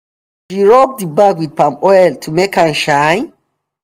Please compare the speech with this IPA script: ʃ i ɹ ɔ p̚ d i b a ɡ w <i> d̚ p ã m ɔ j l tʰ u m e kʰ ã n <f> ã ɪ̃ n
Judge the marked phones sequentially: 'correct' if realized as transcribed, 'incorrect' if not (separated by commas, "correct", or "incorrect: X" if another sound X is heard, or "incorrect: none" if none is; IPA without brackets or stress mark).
correct, incorrect: ʃ